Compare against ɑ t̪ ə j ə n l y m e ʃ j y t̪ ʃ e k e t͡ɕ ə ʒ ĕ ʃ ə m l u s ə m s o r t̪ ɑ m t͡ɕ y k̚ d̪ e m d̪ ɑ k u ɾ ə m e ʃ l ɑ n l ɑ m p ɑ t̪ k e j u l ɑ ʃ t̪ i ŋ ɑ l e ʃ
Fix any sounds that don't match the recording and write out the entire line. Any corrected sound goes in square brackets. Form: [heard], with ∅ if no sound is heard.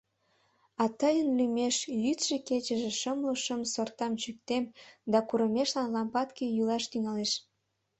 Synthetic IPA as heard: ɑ t̪ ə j ə n l y m e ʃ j y t̪ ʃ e k e t͡ɕ ə ʒ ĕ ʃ ə m l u [ʃ] ə m s o r t̪ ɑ m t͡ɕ y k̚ [t̪] e m d̪ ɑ k u ɾ ə m e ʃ l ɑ n l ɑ m p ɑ t̪ k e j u l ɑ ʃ t̪ [y] ŋ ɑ l e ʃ